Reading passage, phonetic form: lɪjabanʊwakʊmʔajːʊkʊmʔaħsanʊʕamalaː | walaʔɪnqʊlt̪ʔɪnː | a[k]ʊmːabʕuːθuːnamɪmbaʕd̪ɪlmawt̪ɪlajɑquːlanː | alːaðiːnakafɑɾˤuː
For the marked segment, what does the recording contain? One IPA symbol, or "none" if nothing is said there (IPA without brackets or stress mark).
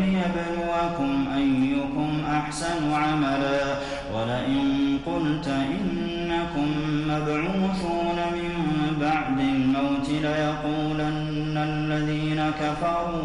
k